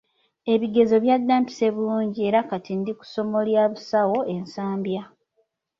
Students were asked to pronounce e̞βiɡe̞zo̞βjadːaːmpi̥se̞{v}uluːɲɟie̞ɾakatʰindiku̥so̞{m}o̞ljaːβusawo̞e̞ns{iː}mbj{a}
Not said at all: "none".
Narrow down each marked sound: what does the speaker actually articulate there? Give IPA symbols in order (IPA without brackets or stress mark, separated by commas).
β, m, aː, a